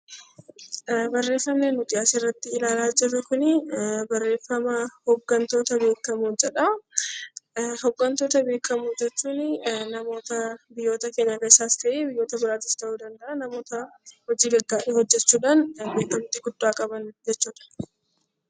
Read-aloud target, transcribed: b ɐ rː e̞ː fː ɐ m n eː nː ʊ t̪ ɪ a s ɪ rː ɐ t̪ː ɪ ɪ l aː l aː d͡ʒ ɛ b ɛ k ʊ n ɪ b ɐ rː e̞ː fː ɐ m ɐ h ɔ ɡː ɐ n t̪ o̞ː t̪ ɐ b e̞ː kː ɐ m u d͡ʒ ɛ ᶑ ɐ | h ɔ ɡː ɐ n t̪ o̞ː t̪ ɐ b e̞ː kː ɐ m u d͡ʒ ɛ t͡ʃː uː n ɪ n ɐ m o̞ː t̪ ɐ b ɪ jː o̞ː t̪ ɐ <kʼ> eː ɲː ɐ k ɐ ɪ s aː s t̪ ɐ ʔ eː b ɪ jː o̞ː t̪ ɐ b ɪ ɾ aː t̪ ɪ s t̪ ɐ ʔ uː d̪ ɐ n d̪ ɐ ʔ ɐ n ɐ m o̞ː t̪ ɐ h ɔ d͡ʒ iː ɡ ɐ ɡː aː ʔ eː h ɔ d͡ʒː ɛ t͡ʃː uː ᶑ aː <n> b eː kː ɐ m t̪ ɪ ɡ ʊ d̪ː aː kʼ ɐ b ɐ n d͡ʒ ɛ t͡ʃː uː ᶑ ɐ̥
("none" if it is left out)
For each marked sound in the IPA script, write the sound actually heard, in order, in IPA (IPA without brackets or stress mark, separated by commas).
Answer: k, n